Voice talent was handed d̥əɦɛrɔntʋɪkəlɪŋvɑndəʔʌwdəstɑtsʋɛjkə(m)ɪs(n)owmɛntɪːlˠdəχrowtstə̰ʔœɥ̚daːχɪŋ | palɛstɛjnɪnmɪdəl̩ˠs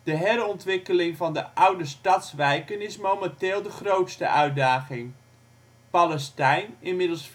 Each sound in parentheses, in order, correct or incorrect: incorrect: n, incorrect: m

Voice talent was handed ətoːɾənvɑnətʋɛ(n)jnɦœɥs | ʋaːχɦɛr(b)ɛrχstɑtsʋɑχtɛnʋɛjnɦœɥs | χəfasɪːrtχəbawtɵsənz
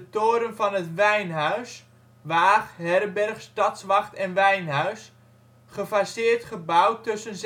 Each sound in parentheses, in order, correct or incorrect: incorrect: none, correct

